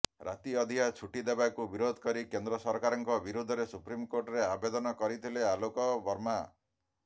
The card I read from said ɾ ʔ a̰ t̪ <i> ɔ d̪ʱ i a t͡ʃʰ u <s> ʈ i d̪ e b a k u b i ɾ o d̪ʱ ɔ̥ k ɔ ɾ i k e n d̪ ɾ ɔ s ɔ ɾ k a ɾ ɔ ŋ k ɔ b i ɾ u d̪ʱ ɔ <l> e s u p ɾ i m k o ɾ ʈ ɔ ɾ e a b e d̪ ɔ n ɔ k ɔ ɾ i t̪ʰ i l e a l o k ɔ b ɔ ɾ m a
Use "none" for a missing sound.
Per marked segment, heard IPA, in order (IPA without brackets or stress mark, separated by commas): i, none, ɾ